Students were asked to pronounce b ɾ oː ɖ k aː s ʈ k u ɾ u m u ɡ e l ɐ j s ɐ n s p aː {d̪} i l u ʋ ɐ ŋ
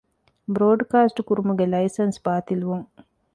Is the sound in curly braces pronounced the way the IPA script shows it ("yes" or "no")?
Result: no